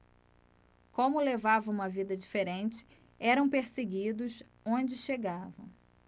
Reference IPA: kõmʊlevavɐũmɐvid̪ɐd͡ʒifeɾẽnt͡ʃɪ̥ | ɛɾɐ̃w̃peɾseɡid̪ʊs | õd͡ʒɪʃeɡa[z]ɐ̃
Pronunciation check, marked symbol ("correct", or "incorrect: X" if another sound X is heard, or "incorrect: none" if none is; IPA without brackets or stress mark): incorrect: v